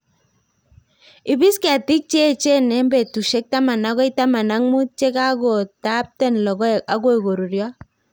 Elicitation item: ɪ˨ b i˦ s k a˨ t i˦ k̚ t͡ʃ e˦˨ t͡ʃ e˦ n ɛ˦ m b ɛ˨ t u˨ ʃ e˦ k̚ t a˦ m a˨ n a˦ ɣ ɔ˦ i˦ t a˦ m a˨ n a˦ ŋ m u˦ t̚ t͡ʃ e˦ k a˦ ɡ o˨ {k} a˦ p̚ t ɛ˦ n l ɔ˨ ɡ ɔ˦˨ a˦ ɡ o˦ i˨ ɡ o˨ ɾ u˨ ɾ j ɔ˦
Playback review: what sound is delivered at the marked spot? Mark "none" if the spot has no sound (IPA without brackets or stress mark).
t